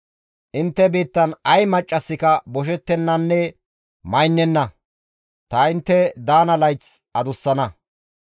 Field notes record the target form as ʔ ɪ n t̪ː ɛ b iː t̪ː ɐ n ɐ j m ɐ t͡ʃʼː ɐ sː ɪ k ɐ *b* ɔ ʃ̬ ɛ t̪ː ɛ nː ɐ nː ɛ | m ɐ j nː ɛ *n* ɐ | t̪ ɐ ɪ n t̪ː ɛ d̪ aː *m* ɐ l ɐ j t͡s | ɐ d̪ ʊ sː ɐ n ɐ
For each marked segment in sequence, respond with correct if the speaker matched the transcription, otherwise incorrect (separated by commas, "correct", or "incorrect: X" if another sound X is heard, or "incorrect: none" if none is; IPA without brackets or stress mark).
correct, incorrect: nː, incorrect: n